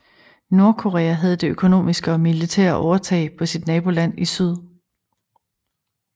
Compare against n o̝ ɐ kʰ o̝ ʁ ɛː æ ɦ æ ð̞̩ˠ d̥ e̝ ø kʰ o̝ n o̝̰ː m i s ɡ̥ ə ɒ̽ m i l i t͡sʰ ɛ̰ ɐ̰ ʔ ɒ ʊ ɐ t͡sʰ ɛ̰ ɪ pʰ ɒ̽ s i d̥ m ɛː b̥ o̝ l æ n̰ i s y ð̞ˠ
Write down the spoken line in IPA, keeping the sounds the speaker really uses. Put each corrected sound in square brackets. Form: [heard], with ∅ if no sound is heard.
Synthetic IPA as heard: n o̝ ɐ kʰ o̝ ʁ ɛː æ ɦ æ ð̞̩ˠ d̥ e̝ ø kʰ o̝ n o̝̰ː m i s ɡ̥ ə ɒ̽ m i l i t͡sʰ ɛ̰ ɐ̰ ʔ ɒ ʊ ɐ t͡sʰ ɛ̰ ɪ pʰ ɒ̽ s i d̥ [n] ɛː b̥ o̝ l æ n̰ i s y ð̞ˠ